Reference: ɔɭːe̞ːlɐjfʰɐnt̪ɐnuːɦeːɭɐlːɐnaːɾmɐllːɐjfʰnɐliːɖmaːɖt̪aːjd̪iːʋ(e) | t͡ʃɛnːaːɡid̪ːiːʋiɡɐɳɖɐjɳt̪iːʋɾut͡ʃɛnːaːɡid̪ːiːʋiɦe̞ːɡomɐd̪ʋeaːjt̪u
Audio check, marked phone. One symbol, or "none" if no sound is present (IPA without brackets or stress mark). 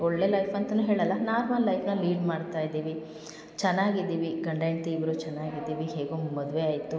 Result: i